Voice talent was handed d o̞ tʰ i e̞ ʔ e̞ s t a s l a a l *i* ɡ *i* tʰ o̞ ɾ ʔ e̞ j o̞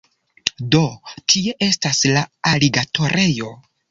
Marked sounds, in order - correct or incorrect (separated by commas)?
correct, incorrect